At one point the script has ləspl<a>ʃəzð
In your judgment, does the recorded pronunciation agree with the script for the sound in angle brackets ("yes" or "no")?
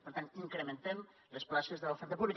yes